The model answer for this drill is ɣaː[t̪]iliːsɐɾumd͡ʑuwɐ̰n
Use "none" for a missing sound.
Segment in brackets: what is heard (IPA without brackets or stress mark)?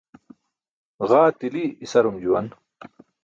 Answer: t̪